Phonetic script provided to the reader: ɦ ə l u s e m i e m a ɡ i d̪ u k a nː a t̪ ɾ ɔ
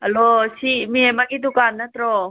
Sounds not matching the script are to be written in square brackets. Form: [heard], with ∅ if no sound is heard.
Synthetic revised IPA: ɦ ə l [o] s [i] m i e m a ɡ i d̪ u k a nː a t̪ ɾ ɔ